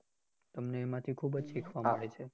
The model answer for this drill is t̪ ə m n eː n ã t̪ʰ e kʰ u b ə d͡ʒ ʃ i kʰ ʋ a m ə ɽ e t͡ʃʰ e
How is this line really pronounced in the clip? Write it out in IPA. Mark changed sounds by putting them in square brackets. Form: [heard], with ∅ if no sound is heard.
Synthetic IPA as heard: t̪ ə m n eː [m] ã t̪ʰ [i] kʰ u b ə d͡ʒ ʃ i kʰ ʋ a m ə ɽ e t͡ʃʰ e